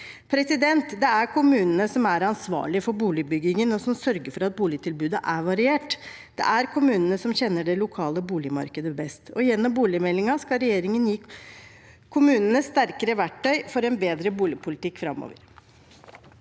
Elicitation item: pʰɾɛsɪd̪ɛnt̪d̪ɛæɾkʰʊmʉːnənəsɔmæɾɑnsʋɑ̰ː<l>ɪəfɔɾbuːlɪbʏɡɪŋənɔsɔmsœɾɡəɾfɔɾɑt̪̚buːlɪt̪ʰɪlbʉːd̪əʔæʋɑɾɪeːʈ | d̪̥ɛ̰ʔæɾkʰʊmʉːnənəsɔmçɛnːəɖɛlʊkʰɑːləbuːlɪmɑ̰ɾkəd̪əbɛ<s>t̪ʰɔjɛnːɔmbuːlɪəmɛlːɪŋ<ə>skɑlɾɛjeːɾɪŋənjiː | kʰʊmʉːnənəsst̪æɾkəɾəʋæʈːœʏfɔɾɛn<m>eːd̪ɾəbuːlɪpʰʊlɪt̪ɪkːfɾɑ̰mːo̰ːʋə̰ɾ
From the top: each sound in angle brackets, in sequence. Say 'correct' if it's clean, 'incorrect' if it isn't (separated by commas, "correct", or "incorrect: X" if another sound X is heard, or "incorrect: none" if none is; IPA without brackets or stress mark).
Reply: incorrect: ɭ, correct, incorrect: ɑ, incorrect: b